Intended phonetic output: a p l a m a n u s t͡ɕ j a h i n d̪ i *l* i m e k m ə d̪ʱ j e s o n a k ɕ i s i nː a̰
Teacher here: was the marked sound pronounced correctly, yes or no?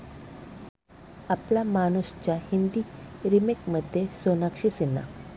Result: no